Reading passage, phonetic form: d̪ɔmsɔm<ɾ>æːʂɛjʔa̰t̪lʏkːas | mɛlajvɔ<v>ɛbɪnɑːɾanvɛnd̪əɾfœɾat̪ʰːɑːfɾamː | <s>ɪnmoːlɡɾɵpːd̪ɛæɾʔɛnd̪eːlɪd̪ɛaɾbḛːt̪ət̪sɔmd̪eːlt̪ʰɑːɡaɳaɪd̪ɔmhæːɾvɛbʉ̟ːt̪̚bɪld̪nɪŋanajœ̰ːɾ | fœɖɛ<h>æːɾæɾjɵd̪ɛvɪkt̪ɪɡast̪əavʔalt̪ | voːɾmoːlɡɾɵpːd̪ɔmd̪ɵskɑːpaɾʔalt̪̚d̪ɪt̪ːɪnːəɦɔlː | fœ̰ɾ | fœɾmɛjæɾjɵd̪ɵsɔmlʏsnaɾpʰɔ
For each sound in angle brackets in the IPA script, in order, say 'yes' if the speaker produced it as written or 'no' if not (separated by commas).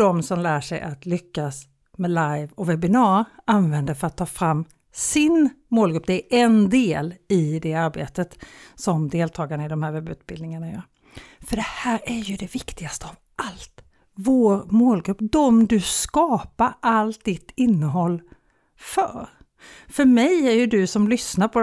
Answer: no, yes, yes, yes